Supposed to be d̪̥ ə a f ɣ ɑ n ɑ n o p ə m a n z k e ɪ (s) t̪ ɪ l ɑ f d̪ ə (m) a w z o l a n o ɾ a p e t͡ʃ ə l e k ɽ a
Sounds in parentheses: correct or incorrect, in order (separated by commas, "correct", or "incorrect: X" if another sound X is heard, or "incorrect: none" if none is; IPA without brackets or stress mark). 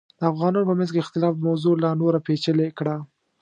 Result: incorrect: x, correct